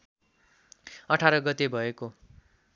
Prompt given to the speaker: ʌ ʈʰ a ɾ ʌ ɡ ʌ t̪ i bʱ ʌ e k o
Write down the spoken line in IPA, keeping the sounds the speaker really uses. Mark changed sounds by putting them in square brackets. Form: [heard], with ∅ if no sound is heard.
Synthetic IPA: ʌ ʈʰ a ɾ ʌ ɡ ʌ t̪ [e] bʱ ʌ e k o